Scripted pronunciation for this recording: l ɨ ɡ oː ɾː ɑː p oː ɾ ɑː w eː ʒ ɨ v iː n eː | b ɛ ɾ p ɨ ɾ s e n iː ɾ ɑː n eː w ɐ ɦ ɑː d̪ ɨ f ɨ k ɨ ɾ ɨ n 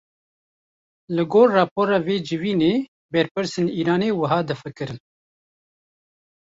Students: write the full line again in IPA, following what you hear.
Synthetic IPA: l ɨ ɡ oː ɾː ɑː p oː ɾ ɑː v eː d͡ʒ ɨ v iː n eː | b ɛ ɾ p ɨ ɾ s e n iː ɾ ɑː n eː w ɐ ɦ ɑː d̪ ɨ f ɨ k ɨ ɾ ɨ n